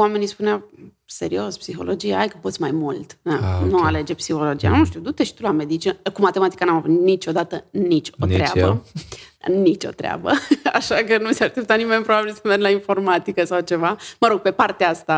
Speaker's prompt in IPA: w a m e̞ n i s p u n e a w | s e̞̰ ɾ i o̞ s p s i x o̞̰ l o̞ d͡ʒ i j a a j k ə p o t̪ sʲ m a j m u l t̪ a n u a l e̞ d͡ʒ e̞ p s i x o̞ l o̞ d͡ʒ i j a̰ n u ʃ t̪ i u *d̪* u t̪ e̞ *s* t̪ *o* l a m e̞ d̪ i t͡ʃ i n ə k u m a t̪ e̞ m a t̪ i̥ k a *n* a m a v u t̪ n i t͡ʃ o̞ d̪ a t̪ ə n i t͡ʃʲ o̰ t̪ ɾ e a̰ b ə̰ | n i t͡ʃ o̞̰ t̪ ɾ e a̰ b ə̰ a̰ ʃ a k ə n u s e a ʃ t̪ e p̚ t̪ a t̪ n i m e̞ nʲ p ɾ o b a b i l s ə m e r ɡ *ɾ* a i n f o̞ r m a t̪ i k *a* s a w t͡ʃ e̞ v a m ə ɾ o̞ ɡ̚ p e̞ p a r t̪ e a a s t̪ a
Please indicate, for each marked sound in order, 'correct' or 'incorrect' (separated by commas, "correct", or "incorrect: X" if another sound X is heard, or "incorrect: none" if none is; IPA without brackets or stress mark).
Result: correct, incorrect: ʃ, incorrect: u, correct, incorrect: l, incorrect: ə